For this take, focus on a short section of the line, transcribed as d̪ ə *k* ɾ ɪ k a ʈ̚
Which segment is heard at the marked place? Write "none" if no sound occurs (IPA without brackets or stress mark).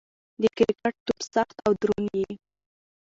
k